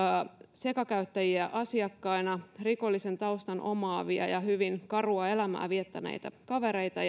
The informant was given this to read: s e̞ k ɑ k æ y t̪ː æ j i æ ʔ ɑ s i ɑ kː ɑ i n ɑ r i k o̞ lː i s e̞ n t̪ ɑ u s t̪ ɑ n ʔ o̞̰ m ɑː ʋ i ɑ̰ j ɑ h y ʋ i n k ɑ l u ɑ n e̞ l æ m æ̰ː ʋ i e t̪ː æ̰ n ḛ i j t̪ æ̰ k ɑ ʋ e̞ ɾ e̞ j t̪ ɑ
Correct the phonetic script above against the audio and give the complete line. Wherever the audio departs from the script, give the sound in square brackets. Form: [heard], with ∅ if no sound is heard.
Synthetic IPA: s e̞ k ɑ k æ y t̪ː æ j i æ ʔ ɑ s i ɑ kː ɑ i n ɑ r i k o̞ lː i s e̞ n t̪ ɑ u s t̪ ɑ n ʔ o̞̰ m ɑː ʋ i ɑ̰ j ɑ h y ʋ i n k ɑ [r] u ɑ [∅] e̞ l æ m æ̰ː ʋ i e t̪ː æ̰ n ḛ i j t̪ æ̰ k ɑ ʋ e̞ ɾ e̞ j t̪ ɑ